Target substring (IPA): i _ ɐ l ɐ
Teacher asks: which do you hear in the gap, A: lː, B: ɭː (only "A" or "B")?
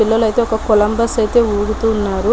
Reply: A